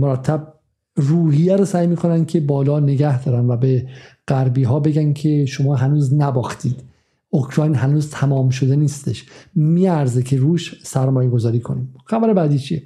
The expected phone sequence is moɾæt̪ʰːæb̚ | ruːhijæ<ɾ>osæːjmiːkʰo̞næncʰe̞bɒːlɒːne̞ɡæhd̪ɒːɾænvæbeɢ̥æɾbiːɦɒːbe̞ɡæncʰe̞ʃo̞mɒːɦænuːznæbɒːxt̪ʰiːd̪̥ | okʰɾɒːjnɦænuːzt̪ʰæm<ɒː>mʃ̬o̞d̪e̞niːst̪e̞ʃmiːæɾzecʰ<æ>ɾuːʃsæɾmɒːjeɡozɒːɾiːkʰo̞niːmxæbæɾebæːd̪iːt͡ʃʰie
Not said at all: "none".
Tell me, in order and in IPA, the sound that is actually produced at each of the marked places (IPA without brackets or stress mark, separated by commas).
ɾ, ɒː, e